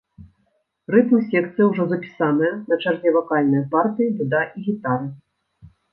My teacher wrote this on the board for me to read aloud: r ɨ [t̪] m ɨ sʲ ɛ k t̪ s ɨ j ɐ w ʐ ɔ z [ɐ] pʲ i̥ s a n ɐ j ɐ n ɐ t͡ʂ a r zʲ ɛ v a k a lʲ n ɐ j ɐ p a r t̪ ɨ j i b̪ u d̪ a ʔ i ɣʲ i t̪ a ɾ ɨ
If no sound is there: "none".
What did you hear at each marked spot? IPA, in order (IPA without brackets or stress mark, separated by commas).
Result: t̪, ɐ